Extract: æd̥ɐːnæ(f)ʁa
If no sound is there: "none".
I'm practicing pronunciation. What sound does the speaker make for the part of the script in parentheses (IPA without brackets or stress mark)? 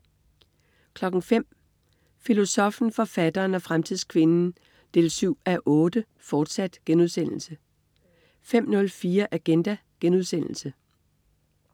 f